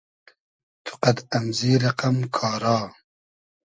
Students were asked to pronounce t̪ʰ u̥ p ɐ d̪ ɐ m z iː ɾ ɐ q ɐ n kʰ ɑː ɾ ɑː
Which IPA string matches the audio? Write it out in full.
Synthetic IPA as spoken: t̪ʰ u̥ q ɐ d̪ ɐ m z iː ɾ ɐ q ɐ m kʰ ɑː ɾ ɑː

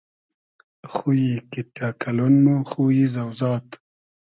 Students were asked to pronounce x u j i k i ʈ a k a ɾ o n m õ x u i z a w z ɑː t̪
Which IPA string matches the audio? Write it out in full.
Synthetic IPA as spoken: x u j i k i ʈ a k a l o n m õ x u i z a w z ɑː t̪

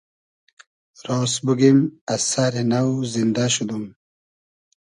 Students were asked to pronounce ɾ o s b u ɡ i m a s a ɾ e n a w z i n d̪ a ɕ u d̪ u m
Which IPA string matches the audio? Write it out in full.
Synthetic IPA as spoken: ɾ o s b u ɡ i m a s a ɾ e n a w z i n d̪ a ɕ u d̪ u m

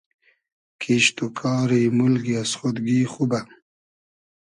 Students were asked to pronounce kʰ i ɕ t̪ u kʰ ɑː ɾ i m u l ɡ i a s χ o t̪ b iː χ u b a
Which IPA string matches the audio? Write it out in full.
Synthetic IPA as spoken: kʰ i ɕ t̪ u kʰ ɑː ɾ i m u l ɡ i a s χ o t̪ ɡ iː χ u b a

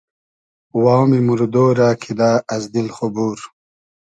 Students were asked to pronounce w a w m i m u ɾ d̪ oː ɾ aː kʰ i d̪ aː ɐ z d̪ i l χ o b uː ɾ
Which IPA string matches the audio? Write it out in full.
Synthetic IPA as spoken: w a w m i m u ɾ d̪ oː ɾ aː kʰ i d̪ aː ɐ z d̪ i l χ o b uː ɾ

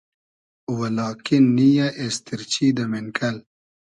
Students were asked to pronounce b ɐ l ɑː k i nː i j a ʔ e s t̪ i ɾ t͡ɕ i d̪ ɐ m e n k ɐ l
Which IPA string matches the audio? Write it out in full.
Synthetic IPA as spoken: w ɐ l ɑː k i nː i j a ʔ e s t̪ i ɾ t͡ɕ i d̪ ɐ m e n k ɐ l

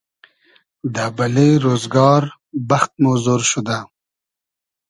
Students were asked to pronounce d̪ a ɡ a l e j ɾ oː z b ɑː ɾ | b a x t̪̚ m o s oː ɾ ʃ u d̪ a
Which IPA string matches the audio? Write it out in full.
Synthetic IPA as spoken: d̪ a b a l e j ɾ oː z ɡ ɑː ɾ | b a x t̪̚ m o z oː ɾ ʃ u d̪ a

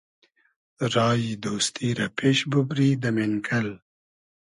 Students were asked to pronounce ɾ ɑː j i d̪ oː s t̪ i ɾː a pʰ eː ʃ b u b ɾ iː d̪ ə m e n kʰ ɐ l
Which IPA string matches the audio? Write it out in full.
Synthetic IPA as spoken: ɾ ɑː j i d̪ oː s t̪ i ɾ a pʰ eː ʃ b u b ɾ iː d̪ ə m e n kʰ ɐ l

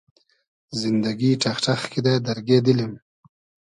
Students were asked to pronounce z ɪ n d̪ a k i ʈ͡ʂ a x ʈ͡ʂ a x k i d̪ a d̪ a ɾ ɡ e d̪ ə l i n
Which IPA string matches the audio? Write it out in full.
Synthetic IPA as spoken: z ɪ n d̪ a ɡ i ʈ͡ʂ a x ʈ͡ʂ a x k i d̪ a d̪ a ɾ ɡ e d̪ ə l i m

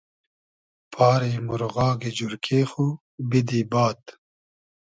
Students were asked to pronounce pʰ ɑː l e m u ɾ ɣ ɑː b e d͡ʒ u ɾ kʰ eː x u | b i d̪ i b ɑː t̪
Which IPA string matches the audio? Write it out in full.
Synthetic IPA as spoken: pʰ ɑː ɾ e m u ɾ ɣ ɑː ɡ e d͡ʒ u ɾ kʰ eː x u | b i d̪ i b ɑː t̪

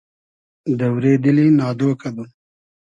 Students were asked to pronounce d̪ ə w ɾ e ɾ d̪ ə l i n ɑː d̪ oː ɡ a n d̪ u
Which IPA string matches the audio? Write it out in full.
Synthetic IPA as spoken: d̪ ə w ɾ e d̪ ə l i n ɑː d̪ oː k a d̪ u

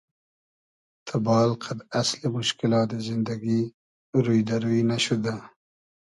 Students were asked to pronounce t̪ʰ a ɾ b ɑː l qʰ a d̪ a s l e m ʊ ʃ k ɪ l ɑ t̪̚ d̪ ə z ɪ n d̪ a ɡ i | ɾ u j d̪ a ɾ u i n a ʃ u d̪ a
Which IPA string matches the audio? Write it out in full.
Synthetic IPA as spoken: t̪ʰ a b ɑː l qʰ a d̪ a s l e m ʊ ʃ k ɪ l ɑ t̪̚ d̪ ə z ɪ n d̪ a ɡ i | ɾ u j d̪ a ɾ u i n a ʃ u d̪ a

